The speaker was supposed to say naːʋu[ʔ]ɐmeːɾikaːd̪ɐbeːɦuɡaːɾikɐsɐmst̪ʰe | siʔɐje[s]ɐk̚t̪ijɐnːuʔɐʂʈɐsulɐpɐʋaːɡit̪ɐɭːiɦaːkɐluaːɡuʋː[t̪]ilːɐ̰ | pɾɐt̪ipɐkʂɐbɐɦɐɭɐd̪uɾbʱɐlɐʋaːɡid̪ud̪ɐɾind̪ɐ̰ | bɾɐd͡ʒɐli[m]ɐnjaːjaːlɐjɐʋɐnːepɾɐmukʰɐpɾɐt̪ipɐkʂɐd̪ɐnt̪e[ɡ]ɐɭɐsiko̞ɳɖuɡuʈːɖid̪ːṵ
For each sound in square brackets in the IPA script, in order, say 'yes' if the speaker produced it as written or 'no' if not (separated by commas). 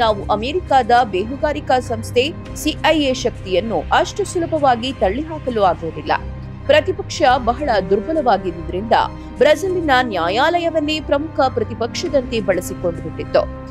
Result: yes, no, no, no, no